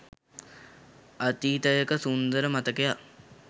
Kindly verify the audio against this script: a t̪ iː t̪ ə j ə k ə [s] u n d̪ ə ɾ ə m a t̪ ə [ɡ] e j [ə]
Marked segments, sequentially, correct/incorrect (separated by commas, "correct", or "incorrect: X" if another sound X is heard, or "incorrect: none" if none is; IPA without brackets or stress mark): correct, incorrect: k, incorrect: a